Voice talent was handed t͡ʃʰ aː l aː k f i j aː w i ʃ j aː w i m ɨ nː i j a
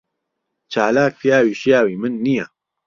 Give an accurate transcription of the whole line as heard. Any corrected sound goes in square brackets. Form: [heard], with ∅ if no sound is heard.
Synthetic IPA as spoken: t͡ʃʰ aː l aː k f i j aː w i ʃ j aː w i m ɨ nː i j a